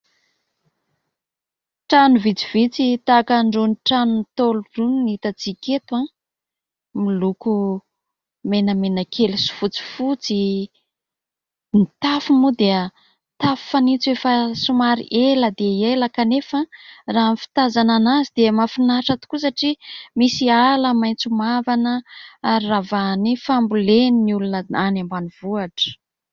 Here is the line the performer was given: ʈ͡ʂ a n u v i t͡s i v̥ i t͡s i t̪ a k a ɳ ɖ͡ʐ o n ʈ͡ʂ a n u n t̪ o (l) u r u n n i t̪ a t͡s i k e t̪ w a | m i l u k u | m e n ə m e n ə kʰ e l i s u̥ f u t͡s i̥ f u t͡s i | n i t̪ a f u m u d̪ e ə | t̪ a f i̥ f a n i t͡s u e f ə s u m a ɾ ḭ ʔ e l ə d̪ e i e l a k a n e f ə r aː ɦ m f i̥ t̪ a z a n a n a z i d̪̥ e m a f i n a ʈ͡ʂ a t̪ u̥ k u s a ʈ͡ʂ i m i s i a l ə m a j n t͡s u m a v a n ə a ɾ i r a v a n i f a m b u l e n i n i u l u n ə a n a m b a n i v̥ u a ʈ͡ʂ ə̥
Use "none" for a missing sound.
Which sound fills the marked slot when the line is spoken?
l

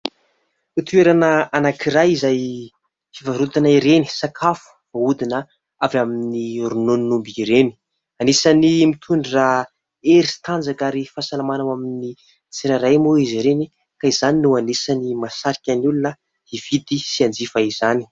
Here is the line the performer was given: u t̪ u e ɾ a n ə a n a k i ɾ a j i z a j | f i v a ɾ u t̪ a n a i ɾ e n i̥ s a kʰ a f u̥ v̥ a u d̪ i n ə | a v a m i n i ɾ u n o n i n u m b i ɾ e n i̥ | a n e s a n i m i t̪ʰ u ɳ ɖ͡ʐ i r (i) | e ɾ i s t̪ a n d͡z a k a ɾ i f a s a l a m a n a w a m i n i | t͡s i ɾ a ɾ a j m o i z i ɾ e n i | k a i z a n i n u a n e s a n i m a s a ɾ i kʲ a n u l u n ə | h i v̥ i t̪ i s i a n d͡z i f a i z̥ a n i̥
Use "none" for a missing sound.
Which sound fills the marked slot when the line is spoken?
a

